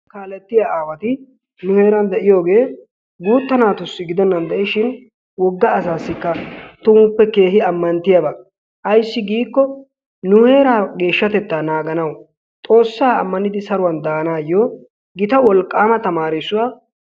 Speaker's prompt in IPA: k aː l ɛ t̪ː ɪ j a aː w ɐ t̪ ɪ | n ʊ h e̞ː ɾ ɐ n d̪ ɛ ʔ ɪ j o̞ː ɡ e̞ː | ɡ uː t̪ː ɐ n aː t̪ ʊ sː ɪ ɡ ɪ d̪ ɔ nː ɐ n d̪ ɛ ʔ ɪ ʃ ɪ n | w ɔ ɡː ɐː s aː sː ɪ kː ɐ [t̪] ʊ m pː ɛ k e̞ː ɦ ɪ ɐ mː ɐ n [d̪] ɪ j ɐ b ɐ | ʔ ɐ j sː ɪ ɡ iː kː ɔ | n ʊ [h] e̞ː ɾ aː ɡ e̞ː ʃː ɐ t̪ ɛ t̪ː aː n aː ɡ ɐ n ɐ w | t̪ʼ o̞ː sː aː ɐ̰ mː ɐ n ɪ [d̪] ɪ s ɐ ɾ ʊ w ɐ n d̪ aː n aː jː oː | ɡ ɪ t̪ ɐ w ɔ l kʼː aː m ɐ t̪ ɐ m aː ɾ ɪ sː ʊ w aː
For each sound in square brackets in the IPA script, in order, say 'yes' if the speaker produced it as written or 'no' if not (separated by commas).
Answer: yes, no, yes, yes